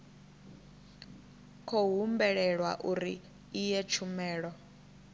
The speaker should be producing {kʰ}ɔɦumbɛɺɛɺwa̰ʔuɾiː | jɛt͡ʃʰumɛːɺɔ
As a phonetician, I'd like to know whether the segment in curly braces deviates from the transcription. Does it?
no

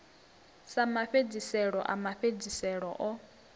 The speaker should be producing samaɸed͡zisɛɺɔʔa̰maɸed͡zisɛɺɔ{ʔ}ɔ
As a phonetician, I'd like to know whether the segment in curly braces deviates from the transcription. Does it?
no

